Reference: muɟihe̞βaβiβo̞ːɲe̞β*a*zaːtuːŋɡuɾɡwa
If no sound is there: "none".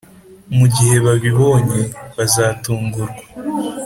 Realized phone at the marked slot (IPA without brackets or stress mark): a